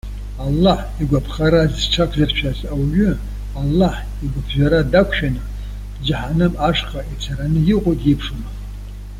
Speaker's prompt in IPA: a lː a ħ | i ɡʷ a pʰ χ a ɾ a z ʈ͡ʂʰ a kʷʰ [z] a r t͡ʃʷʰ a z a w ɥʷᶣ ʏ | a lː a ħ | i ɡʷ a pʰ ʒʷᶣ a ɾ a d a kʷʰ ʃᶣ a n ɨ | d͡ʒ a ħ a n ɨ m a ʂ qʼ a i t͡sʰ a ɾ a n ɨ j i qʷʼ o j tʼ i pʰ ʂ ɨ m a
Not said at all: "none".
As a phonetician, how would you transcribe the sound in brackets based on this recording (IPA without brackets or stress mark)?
z